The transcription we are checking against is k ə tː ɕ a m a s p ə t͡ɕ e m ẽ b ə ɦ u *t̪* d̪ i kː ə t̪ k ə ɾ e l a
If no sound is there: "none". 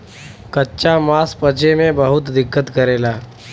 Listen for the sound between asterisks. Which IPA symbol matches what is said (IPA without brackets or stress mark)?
t̪